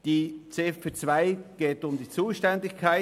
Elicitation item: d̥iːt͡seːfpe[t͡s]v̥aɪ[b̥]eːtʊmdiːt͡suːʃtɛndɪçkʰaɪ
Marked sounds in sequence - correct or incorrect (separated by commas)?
correct, incorrect